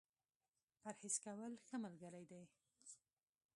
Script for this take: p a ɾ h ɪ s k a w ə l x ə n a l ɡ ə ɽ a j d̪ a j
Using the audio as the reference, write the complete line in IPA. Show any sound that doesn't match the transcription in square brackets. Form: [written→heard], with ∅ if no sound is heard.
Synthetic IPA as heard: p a ɾ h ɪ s k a w ə l x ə [n→m] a l ɡ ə [ɽ→ɾ] a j d̪ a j